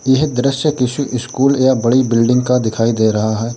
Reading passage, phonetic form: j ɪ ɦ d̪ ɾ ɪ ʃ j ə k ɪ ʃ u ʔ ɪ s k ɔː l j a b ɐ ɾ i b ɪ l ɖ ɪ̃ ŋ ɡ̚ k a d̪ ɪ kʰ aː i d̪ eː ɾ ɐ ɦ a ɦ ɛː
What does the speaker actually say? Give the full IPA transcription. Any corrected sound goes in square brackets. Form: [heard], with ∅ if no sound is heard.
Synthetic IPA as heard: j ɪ ɦ d̪ ɾ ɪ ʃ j ə k ɪ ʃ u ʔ ɪ s k [uː] l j a b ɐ [ɽ] i b ɪ l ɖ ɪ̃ ŋ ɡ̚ k a d̪ ɪ kʰ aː i d̪ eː ɾ ɐ ɦ a ɦ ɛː